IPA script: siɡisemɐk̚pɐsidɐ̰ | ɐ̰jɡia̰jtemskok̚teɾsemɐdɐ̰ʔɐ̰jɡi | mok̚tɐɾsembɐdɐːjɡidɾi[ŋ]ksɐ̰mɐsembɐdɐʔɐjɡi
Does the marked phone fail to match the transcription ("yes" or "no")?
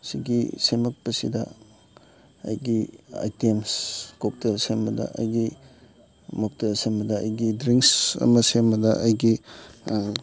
no